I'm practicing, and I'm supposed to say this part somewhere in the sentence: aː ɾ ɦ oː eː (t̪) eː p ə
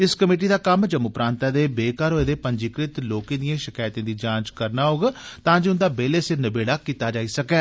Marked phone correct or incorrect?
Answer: incorrect